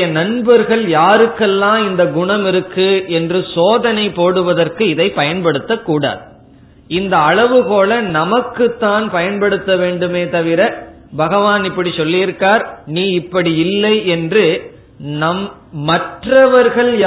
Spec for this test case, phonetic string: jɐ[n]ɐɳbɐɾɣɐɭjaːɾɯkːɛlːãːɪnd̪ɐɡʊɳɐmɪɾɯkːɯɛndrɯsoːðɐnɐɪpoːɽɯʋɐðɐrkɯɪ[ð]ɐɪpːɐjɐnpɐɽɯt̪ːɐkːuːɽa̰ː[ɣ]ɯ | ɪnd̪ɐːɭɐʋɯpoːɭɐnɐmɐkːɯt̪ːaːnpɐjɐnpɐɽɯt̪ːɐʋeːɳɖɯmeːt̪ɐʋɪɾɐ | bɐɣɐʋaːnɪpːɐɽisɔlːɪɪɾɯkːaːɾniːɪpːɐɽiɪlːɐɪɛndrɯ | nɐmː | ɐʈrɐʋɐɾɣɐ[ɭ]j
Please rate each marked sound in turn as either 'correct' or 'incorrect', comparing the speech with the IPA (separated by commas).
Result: correct, correct, incorrect, correct